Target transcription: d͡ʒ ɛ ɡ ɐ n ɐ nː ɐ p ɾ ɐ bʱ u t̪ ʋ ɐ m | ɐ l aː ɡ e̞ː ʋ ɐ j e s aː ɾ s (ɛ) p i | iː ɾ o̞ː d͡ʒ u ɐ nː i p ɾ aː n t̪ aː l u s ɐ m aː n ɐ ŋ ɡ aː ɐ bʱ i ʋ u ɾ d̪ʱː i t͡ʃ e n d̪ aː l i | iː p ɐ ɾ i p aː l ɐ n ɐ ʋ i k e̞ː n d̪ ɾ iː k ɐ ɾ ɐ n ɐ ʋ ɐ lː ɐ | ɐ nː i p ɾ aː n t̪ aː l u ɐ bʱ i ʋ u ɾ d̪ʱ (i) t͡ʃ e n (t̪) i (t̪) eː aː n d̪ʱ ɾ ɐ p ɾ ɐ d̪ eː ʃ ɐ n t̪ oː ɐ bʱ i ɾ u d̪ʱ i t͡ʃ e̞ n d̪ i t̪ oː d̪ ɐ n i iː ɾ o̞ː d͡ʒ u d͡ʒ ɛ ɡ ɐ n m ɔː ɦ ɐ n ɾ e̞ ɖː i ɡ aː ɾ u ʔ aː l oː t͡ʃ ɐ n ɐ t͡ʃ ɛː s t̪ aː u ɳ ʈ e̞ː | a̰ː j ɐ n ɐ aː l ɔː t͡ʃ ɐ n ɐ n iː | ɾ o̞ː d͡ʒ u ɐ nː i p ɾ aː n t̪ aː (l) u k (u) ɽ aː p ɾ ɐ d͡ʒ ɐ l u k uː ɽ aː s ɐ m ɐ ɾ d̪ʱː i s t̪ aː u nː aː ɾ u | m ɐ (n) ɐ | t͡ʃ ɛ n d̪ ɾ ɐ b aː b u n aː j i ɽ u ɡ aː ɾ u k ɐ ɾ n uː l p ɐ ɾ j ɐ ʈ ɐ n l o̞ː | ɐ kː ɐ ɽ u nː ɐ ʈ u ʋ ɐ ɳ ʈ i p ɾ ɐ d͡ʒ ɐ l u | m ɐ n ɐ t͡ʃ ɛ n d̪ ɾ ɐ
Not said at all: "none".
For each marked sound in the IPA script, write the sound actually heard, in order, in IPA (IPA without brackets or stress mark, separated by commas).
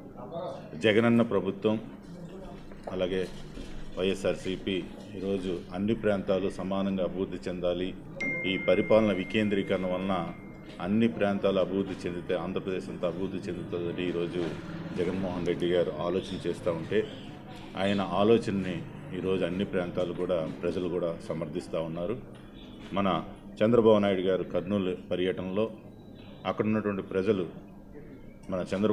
i, i, d̪, t̪, l, uː, n